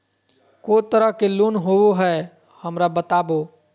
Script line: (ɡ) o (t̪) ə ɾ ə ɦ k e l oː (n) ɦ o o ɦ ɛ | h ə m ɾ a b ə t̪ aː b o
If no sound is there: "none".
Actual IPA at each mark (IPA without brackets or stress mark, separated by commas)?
k, t̪, n